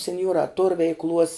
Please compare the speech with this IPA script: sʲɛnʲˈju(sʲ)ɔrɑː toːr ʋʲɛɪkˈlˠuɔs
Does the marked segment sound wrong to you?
yes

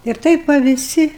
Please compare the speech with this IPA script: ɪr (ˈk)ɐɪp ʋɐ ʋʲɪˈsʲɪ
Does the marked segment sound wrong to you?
yes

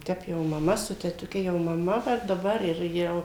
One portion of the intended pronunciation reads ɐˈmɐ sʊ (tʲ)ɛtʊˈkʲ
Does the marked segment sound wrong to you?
no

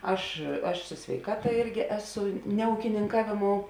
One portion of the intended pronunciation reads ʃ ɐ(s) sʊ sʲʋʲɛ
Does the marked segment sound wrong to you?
yes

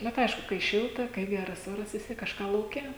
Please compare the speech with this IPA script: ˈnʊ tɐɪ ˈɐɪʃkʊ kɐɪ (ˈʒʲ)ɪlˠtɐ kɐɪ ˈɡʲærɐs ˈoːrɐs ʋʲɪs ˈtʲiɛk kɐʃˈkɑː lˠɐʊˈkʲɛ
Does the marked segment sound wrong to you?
yes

